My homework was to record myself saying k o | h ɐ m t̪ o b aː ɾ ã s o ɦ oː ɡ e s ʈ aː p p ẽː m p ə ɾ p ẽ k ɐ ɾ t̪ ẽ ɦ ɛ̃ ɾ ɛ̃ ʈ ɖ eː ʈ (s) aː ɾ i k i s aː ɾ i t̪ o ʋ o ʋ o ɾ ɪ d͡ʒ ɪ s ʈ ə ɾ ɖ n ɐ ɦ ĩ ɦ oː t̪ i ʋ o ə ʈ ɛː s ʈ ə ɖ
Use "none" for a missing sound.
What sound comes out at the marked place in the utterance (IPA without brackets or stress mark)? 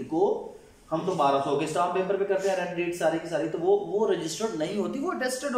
s